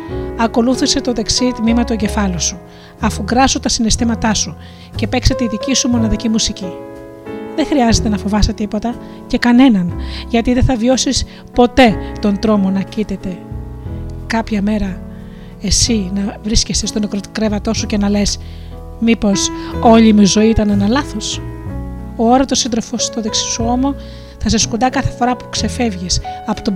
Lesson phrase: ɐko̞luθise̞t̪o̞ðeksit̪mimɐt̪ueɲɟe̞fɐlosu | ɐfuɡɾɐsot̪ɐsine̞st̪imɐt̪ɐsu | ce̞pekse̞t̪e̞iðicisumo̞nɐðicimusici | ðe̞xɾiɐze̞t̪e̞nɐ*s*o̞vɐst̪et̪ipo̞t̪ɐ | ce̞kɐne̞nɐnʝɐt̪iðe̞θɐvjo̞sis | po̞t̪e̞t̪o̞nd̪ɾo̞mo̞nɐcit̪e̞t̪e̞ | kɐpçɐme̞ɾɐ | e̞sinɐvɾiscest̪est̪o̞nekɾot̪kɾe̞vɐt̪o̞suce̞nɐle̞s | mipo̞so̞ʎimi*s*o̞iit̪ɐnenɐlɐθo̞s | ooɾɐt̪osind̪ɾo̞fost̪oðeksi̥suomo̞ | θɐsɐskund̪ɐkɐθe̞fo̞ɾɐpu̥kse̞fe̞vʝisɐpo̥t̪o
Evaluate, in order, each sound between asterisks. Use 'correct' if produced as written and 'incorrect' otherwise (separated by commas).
incorrect, incorrect